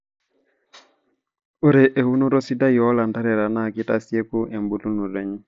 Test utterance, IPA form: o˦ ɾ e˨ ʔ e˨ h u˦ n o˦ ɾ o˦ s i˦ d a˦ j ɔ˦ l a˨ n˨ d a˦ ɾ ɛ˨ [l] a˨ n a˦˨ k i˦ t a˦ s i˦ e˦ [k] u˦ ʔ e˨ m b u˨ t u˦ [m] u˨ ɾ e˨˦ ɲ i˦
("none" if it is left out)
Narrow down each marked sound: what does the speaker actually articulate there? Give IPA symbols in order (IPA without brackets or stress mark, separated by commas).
ɾ, k, n